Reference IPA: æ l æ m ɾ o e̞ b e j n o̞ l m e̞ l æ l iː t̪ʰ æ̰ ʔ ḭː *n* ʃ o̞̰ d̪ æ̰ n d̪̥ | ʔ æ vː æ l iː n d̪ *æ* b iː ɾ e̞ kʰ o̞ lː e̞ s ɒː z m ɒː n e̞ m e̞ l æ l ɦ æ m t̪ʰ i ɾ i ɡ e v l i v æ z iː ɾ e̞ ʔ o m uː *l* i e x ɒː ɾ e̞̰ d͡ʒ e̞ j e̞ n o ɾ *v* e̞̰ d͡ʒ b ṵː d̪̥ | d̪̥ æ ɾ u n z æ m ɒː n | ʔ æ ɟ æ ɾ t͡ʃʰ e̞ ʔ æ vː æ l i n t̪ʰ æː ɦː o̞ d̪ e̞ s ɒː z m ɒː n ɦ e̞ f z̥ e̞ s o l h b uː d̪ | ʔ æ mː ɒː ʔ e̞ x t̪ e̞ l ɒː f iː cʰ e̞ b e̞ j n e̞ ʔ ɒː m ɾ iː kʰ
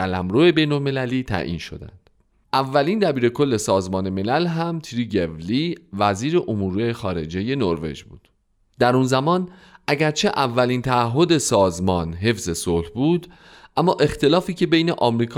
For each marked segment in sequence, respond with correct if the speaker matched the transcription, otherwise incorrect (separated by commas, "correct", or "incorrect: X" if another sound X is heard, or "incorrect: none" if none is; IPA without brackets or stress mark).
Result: correct, correct, incorrect: ɾ, correct